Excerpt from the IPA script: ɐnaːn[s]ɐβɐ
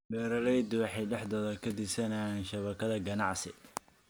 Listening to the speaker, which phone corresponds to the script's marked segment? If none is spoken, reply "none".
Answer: ʃ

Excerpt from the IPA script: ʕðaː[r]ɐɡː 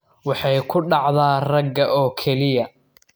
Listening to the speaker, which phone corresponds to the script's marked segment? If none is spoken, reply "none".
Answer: r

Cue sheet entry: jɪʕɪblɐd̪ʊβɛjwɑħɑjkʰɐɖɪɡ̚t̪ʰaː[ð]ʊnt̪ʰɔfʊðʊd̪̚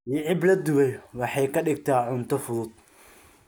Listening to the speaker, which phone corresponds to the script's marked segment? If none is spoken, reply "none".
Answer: ʕ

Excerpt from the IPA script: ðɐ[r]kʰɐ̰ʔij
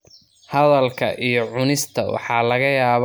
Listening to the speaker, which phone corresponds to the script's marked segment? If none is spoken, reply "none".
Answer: l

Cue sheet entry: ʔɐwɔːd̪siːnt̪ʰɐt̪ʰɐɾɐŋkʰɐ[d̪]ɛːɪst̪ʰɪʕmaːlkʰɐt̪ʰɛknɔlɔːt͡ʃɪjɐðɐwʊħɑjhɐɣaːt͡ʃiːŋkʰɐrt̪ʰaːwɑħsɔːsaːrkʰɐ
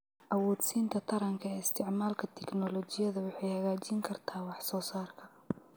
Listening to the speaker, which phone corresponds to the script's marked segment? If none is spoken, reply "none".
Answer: none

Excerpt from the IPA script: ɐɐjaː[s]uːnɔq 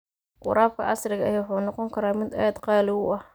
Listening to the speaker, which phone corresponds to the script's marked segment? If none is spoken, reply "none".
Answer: ħ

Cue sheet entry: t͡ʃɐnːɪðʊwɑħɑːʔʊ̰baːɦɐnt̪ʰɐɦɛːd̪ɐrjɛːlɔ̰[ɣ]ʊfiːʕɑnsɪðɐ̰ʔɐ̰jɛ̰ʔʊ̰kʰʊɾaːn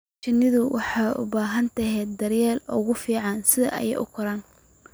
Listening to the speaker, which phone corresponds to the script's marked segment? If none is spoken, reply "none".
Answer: ɣ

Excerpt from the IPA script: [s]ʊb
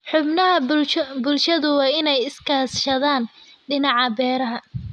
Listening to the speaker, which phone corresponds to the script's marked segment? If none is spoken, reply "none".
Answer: ħ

